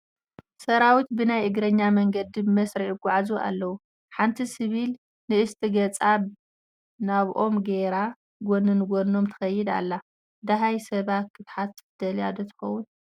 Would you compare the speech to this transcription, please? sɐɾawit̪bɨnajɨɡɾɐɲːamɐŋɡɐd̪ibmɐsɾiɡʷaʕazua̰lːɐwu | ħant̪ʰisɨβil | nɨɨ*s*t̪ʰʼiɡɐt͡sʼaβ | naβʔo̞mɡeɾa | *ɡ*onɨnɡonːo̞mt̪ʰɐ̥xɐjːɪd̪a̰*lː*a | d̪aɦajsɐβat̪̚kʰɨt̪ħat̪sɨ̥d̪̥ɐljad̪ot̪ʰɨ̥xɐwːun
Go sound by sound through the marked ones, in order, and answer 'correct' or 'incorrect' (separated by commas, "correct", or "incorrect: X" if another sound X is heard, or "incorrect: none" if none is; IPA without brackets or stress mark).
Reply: correct, correct, correct